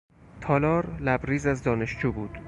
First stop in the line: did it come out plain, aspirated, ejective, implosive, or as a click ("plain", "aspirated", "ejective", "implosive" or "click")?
aspirated